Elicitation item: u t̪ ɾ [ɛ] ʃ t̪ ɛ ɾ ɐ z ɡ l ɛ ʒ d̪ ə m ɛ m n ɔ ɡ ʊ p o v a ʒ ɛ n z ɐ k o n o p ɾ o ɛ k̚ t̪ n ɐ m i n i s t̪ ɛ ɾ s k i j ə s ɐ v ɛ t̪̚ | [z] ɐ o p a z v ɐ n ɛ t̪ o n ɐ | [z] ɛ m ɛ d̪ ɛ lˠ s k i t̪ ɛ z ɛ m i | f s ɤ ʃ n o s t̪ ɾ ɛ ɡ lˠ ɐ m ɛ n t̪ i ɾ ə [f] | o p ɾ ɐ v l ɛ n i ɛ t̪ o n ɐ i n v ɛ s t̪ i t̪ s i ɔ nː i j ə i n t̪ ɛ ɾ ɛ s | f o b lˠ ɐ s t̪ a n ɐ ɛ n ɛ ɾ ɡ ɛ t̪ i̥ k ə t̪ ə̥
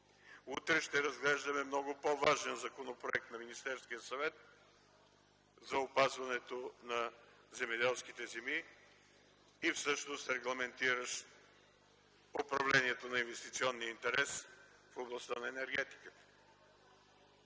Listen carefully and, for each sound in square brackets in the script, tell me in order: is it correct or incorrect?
correct, correct, correct, incorrect: ʃ

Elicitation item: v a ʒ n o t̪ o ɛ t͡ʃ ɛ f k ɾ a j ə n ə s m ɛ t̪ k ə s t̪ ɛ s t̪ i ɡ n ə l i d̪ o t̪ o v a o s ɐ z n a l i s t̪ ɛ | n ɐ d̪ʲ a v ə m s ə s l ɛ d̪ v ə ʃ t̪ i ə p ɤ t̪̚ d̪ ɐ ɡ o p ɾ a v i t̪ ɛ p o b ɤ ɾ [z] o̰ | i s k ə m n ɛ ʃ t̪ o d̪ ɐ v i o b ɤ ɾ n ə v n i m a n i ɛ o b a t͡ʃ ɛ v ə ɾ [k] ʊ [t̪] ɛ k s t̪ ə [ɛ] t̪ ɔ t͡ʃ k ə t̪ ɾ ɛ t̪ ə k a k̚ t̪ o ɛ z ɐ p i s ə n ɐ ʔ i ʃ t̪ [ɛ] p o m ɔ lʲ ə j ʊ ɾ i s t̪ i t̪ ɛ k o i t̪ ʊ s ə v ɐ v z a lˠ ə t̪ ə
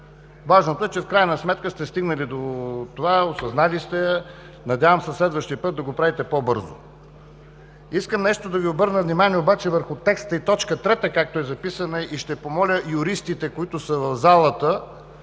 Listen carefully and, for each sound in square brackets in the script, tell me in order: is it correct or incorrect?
correct, incorrect: x, correct, incorrect: i, correct

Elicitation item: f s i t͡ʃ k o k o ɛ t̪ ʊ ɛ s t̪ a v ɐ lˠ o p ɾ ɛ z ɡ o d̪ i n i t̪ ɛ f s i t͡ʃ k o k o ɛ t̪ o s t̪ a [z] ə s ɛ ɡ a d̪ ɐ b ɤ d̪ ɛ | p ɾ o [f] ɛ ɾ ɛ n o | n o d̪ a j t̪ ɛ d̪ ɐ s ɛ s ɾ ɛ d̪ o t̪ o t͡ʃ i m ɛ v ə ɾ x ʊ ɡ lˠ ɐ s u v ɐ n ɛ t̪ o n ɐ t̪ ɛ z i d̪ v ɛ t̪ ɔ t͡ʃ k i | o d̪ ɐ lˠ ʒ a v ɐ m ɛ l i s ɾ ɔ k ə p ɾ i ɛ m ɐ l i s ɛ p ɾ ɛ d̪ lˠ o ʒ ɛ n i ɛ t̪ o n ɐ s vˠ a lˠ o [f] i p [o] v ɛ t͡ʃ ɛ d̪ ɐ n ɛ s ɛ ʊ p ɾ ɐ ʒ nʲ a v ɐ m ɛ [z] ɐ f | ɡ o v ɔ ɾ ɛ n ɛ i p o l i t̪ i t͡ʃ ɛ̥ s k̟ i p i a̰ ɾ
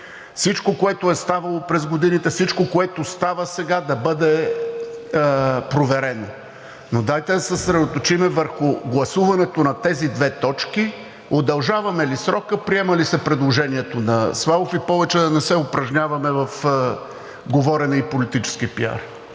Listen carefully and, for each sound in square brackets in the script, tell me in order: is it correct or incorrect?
incorrect: v, incorrect: v, correct, incorrect: ɔ, incorrect: v

